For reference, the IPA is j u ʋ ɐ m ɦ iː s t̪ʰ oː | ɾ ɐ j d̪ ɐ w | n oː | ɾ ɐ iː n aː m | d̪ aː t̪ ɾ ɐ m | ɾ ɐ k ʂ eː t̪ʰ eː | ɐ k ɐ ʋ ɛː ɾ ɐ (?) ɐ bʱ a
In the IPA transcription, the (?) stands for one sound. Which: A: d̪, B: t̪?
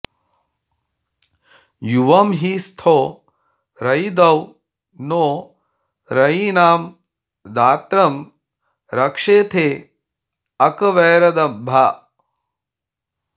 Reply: A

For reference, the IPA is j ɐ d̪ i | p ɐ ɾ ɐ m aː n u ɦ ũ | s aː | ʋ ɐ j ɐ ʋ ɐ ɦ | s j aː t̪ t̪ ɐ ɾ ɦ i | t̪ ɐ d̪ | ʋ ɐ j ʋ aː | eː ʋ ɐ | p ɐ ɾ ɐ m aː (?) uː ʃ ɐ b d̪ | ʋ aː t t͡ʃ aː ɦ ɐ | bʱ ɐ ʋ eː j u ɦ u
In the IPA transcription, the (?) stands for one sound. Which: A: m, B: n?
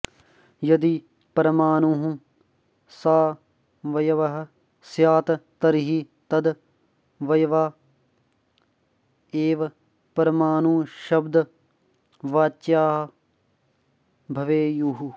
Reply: B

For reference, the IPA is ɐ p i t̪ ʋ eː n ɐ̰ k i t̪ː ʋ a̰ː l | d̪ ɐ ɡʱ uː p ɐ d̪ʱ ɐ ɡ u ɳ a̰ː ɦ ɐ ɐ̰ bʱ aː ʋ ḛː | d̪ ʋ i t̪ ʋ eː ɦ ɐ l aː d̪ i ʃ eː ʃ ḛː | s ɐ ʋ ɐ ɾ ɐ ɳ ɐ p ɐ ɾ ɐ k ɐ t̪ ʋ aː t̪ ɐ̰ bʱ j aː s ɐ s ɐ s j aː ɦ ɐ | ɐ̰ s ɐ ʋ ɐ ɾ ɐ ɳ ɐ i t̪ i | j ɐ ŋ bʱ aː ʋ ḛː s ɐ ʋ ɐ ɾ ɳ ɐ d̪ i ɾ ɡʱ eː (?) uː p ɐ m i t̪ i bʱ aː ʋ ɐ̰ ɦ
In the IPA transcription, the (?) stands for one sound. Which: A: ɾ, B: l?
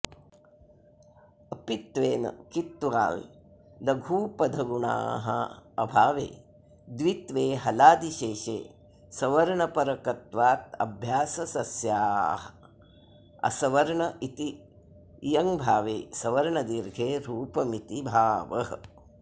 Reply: A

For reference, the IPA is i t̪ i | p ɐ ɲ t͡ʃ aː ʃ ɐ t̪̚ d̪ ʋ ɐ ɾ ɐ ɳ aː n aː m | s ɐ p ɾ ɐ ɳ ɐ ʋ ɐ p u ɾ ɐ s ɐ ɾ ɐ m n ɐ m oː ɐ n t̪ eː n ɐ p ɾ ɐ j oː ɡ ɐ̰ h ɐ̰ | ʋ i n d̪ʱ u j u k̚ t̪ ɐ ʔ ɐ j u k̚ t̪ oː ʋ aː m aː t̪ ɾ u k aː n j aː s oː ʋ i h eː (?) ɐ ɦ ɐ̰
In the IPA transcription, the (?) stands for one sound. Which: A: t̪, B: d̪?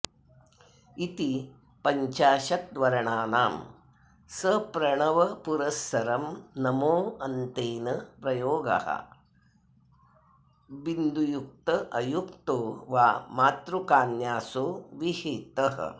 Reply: A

